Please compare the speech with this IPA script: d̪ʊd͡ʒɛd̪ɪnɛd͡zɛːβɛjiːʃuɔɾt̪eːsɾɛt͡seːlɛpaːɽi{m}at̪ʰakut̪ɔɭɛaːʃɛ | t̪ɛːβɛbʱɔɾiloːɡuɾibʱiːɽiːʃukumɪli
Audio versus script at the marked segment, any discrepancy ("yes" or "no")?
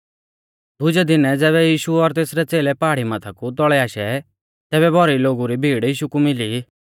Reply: no